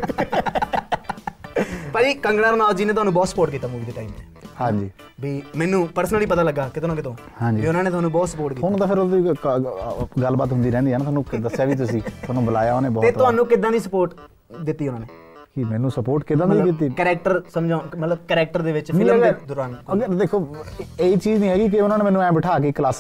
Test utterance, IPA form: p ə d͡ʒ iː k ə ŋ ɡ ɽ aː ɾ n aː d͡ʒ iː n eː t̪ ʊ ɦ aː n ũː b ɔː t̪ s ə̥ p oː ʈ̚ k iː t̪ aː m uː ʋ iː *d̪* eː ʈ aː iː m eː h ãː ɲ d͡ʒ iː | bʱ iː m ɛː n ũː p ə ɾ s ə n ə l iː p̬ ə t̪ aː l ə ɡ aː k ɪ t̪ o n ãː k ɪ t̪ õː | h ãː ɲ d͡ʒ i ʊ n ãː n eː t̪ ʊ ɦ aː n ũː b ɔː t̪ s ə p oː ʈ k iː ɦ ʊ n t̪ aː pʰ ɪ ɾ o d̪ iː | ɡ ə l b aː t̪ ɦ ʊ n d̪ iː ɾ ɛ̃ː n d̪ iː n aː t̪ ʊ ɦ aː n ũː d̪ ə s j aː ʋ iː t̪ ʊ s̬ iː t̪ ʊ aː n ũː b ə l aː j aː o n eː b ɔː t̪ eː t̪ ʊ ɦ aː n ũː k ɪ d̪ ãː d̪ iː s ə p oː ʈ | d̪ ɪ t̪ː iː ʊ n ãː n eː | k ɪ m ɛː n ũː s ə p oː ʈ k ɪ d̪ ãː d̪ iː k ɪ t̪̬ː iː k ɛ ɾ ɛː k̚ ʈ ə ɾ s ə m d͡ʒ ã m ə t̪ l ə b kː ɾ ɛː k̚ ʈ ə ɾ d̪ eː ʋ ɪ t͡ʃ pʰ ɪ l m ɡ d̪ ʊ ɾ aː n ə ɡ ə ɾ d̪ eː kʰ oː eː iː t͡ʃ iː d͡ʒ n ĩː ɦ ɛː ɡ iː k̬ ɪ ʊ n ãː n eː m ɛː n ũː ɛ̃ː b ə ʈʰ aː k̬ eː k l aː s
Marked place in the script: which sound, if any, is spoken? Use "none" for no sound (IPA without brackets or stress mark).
d̪